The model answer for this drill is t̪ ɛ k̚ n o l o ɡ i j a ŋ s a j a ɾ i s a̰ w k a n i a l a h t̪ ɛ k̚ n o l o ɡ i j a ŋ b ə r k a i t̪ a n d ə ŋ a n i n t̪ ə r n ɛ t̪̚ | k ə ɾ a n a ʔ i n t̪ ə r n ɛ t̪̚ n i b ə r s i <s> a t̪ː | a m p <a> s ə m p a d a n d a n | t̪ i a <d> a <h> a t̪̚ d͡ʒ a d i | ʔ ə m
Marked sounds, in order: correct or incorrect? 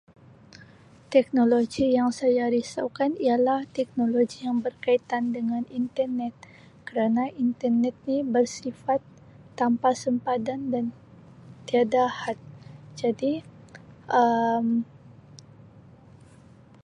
incorrect, correct, correct, correct

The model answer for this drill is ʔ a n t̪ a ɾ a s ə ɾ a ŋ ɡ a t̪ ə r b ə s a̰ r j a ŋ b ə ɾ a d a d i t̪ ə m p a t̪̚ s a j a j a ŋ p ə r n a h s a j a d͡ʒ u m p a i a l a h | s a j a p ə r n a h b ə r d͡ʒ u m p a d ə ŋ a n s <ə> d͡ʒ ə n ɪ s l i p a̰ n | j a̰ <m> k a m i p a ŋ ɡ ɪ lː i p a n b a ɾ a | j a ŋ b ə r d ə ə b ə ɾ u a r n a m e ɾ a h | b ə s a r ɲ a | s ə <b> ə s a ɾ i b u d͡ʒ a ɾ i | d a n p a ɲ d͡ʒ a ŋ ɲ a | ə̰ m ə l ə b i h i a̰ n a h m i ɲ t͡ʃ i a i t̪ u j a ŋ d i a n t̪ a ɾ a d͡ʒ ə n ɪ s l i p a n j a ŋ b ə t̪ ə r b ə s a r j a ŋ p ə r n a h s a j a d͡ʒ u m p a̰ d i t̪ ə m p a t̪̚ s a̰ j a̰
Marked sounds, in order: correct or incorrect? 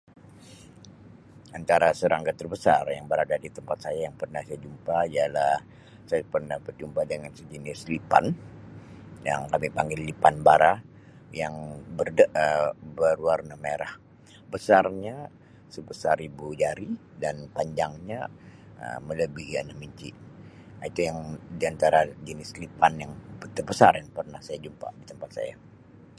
correct, incorrect, correct

